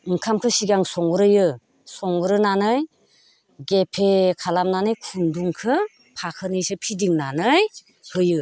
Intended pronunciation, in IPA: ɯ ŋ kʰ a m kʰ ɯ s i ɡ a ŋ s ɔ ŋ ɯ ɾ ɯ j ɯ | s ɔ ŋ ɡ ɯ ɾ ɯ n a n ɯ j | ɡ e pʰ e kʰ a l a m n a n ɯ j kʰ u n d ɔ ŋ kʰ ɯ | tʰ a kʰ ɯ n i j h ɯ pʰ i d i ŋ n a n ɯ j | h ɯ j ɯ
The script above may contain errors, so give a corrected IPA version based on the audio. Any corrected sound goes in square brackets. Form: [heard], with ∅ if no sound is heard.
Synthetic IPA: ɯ ŋ kʰ a m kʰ ɯ s i ɡ a ŋ s ɔ ŋ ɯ ɾ ɯ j ɯ | s ɔ ŋ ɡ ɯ ɾ ɯ n a n ɯ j | ɡ e pʰ e kʰ a l a m n a n ɯ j kʰ u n d [u] ŋ kʰ ɯ | [pʰ] a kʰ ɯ n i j [s] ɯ pʰ i d i ŋ n a n ɯ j | h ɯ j ɯ